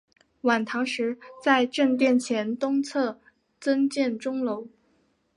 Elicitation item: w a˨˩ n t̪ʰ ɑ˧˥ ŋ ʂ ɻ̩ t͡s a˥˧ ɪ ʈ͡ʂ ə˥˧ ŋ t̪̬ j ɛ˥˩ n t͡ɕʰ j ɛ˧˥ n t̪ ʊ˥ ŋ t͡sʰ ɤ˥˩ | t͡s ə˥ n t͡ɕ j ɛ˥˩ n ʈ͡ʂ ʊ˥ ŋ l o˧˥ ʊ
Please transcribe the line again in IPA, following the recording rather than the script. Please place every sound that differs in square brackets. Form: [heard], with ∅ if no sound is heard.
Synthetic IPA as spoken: w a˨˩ n t̪ʰ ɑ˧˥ ŋ ʂ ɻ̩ t͡s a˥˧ ɪ ʈ͡ʂ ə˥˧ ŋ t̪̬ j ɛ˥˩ n t͡ɕʰ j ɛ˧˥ n t̪ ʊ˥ ŋ t͡sʰ ɤ˥˩ | t͡s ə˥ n t͡ɕ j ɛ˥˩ n ʈ͡ʂ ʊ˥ ŋ l o˧˥ ʊ